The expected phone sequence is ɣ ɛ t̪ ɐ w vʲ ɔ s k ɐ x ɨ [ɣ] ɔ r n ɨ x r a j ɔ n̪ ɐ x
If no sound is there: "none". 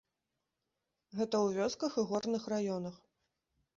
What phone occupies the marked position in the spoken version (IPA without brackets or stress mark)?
ɣ